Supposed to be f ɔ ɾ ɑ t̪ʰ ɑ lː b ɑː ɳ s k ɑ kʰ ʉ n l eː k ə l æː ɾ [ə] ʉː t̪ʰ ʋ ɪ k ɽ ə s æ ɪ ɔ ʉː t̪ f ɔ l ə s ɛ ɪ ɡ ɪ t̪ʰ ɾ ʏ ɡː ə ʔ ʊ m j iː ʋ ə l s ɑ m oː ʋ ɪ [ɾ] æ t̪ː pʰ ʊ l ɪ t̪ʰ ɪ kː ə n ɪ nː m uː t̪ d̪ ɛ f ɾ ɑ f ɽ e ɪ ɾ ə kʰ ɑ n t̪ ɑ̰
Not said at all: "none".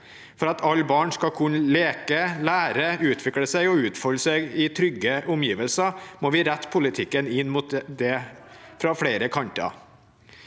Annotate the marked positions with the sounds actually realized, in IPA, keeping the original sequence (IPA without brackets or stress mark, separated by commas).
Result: ə, ɾ